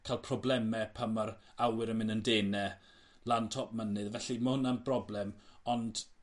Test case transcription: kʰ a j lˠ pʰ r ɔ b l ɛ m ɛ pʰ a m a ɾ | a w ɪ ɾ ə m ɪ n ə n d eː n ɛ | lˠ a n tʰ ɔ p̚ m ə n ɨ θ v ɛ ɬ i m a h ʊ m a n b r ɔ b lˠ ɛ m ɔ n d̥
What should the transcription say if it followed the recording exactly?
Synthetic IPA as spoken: kʰ a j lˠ pʰ r ɔ b l ɛ m ɛ pʰ a m a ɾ | a w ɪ ɾ ə m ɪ n ə n d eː n ɛ | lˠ a n tʰ ɔ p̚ m ə n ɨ ð v ɛ ɬ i m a h ʊ n a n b r ɔ b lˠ ɛ m ɔ n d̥